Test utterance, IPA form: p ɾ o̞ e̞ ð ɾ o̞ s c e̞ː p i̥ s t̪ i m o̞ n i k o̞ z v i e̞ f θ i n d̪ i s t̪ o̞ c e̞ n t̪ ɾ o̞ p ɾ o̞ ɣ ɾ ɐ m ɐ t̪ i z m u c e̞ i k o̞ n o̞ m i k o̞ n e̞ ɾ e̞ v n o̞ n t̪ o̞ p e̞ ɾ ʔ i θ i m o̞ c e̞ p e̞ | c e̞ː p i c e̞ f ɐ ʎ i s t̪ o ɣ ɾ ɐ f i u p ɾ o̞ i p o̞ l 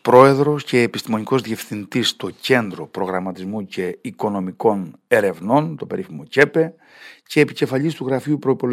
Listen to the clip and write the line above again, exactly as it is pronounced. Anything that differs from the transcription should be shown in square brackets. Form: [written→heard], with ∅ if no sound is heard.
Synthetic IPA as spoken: p ɾ o̞ e̞ ð ɾ o̞ s c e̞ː p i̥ s t̪ i m o̞ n i k o̞ z [v→ð] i e̞ f θ i n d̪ i s t̪ o̞ c e̞ n [t̪→d̪] ɾ o̞ p ɾ o̞ ɣ ɾ ɐ m ɐ t̪ i z m u c e̞ i k o̞ n o̞ m i k o̞ n e̞ ɾ e̞ v n o̞ n t̪ o̞ p e̞ ɾ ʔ i [θ→f] i m o̞ c e̞ p e̞ | c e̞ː p i c e̞ f ɐ ʎ i s t̪ [o→u] ɣ ɾ ɐ f i u p ɾ o̞ i p o̞ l